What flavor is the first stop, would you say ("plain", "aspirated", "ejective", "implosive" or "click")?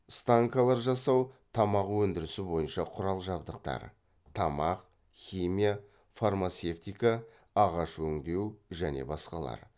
plain